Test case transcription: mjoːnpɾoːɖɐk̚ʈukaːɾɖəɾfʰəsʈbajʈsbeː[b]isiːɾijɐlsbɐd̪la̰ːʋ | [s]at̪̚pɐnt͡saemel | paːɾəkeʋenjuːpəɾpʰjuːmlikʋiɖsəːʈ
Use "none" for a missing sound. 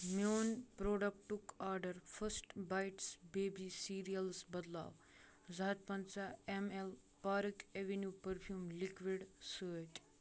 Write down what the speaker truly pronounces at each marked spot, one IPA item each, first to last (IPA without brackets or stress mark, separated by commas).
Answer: b, z